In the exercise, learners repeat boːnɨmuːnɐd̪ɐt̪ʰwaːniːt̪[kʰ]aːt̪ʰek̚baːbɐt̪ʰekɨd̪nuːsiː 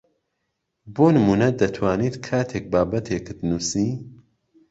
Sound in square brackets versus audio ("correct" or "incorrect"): correct